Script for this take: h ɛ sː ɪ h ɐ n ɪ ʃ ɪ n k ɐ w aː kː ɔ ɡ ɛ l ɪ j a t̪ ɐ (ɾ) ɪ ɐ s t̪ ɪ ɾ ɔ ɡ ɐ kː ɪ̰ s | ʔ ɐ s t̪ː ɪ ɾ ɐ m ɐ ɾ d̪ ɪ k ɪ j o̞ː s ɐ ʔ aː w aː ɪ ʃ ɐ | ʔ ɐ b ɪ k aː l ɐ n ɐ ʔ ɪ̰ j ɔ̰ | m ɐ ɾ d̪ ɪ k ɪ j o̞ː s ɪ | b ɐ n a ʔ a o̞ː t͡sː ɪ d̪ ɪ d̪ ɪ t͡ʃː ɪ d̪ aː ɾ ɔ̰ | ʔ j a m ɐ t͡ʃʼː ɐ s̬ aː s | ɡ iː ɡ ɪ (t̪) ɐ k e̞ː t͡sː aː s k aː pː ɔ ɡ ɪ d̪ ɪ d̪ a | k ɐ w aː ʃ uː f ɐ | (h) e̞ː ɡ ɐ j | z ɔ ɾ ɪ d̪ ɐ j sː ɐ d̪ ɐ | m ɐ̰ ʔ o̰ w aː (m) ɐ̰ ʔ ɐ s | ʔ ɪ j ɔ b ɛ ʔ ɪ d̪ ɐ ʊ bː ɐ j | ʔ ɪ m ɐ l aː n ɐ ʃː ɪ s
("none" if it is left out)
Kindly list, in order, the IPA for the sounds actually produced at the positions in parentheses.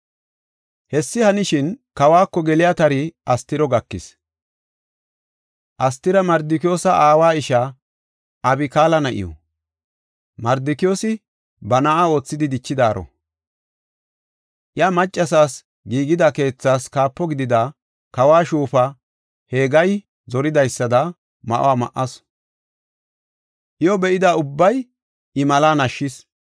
ɾ, d̪, h, m

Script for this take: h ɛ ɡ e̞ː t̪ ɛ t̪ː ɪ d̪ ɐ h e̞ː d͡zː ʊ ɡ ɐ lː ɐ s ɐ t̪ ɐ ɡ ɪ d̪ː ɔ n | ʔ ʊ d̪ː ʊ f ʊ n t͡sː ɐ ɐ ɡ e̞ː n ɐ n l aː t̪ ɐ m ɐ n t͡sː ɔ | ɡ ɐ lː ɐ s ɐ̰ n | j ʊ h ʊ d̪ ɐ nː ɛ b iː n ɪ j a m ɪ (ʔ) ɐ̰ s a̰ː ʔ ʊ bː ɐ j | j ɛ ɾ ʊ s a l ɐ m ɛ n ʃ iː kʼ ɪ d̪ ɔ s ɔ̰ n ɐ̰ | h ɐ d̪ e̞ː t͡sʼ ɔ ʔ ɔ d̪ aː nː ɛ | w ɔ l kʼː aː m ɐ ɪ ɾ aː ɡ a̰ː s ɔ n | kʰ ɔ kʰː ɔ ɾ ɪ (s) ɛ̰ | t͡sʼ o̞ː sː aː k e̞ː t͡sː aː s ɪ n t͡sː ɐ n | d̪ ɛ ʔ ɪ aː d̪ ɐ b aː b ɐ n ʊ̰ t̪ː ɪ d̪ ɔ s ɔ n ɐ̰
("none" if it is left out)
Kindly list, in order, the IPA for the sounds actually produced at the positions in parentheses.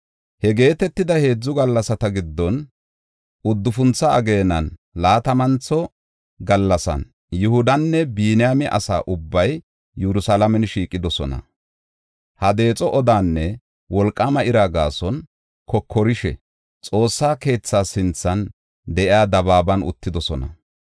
ʔ, ʃ

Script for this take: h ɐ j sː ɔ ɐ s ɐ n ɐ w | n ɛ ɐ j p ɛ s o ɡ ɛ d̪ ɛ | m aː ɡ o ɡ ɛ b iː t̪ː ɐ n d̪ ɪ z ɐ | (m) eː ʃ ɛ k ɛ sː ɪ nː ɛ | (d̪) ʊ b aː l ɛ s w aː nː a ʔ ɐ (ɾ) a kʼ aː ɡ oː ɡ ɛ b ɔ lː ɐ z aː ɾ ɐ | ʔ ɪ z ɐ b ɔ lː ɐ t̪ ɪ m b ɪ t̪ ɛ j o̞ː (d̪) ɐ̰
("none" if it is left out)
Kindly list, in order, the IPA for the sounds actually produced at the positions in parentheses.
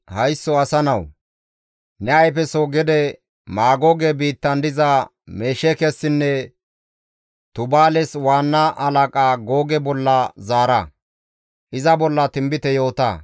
m, t̪, l, t̪

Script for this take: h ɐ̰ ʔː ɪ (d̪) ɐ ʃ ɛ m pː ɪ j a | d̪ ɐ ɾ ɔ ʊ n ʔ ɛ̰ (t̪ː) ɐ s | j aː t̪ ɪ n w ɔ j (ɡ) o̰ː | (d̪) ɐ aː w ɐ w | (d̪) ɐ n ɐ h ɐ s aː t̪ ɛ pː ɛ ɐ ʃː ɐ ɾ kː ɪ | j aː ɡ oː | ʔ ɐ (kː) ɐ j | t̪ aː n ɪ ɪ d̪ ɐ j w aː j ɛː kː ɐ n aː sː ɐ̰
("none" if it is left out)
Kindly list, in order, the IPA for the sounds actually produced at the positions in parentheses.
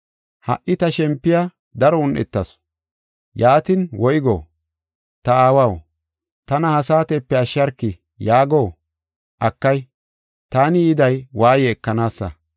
t̪, t̪ː, ɡ, t̪, t̪, kː

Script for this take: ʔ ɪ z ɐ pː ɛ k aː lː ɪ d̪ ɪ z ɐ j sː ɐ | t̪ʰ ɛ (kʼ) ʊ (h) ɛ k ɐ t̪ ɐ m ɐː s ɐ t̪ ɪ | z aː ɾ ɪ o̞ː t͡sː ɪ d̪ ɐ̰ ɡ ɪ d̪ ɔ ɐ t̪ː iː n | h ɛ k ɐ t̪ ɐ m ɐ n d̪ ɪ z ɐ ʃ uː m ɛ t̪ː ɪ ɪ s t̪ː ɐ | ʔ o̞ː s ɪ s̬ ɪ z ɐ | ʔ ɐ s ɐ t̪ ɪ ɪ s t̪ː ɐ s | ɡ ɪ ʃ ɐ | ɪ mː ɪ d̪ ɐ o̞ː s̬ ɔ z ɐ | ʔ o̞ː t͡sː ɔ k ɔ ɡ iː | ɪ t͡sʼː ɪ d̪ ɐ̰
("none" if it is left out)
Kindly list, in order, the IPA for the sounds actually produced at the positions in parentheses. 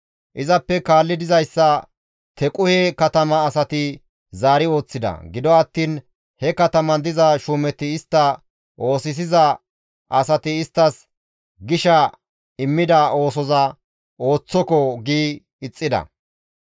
kʼ, h

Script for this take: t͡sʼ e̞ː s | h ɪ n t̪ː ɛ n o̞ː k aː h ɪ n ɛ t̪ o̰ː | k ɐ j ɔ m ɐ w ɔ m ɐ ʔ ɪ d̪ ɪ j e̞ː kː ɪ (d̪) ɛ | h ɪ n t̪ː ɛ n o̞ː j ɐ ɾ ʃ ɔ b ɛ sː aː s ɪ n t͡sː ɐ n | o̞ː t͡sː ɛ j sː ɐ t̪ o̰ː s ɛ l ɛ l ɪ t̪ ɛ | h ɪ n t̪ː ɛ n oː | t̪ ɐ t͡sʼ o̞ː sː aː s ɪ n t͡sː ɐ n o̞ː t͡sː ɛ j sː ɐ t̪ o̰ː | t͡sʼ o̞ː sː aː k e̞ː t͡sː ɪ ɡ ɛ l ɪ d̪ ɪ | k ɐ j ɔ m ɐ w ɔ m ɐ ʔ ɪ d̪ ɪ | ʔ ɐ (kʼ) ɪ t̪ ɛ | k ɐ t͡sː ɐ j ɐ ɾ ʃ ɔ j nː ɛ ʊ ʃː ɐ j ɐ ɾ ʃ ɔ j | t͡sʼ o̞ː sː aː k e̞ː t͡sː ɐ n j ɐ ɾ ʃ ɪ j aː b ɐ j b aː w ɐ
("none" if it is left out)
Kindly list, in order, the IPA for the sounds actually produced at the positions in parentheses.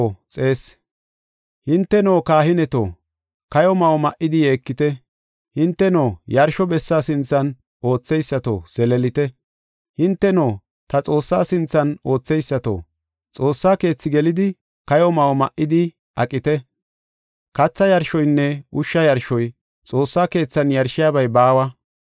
t̪, kʼ

